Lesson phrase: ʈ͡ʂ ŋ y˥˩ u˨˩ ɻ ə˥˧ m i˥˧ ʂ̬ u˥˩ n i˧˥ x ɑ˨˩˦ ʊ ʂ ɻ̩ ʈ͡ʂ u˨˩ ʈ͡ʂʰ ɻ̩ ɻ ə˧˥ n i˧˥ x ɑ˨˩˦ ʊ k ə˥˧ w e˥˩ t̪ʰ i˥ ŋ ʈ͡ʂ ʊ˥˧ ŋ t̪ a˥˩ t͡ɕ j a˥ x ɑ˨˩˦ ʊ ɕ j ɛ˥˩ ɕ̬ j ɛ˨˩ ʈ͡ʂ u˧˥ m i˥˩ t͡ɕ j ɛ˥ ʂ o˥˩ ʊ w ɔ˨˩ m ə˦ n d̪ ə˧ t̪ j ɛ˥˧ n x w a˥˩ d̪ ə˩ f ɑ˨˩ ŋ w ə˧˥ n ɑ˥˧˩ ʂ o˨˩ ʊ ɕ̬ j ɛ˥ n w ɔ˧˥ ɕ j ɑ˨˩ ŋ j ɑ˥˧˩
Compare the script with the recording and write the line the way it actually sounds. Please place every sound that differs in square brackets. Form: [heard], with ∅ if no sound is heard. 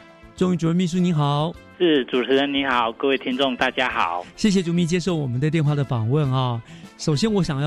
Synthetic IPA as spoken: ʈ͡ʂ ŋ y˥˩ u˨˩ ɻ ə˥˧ m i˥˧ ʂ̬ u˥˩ n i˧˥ x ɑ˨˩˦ ʊ ʂ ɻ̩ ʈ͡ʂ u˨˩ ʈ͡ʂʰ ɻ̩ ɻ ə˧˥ n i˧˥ x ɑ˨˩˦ ʊ k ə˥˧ w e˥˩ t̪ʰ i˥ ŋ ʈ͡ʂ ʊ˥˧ ŋ t̪ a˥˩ t͡ɕ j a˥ x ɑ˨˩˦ ʊ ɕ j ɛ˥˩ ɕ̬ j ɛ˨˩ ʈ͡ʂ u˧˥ m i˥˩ t͡ɕ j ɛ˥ ʂ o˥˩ ʊ w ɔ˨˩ m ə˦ n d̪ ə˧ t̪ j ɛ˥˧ n x w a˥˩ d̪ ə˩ f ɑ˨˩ ŋ w [ə˥˧˨] n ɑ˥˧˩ ʂ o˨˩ ʊ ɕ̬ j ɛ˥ n w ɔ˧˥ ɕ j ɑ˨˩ ŋ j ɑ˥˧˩